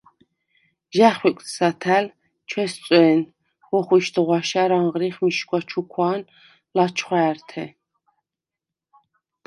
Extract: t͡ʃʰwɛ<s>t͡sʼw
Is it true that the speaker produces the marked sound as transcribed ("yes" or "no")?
yes